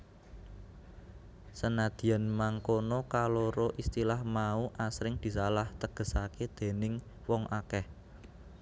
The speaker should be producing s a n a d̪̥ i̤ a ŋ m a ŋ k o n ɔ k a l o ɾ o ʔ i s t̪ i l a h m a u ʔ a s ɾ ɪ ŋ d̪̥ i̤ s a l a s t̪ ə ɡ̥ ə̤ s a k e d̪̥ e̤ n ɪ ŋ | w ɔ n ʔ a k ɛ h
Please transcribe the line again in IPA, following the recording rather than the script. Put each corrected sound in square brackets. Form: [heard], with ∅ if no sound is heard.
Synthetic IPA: s [ə] n a d̪̥ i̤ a [n] m a ŋ k o n ɔ k a l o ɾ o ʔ i s t̪ i l a h m a u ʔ a s ɾ ɪ ŋ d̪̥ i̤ s a l a [h] t̪ ə ɡ̥ ə̤ s a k e d̪̥ e̤ n ɪ ŋ | w ɔ [ŋ] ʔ a k ɛ h

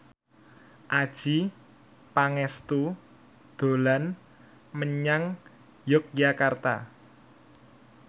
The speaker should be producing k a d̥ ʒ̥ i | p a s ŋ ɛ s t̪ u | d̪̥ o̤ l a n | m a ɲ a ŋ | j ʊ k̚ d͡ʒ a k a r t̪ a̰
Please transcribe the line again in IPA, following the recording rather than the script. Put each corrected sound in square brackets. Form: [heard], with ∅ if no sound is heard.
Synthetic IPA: [ʔ] a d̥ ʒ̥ i | p a [∅] ŋ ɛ s t̪ u | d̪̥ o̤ l a n | m [ə] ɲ a ŋ | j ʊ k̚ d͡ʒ a k a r t̪ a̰

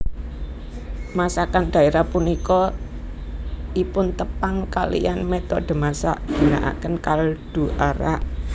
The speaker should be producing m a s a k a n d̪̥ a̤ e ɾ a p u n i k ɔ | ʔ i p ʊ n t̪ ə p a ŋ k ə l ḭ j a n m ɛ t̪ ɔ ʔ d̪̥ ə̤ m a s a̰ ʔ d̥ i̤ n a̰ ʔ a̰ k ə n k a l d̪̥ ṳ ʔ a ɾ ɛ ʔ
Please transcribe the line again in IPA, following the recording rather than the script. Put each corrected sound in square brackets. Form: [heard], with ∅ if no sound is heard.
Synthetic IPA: m a s a k a n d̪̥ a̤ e ɾ a p u n i k ɔ | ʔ i p ʊ n t̪ ə p a ŋ k [a] l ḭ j a n m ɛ t̪ ɔ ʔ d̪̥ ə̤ m a s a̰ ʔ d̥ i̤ n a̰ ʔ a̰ k ə n k a l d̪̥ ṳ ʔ a ɾ [a] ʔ

